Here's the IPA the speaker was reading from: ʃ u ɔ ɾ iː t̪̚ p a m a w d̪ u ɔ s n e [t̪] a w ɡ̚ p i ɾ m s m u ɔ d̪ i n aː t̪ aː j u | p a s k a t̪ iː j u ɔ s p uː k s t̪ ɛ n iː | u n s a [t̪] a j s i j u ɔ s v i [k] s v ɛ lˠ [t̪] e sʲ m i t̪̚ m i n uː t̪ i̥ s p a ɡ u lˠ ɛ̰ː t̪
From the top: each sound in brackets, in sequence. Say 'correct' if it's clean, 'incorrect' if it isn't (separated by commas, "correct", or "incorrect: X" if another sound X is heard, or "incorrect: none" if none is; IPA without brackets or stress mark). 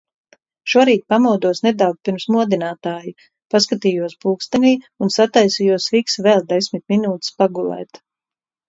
incorrect: d̪, correct, correct, incorrect: d̪